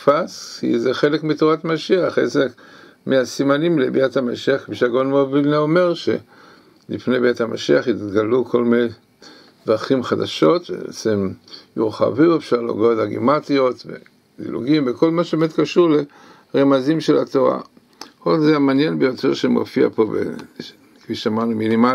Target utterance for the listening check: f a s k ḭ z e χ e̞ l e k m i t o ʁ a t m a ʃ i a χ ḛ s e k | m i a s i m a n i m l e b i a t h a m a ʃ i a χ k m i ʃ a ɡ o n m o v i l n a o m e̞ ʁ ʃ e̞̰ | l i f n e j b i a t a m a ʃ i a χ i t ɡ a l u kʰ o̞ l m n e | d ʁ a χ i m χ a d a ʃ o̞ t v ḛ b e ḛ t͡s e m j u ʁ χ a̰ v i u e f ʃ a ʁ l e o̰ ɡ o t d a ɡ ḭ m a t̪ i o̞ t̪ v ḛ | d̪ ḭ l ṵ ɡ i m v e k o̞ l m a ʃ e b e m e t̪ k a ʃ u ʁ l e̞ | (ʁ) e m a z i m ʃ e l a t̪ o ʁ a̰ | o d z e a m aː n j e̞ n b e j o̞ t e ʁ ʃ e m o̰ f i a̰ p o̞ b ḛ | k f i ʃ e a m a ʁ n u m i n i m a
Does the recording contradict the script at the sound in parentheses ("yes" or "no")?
no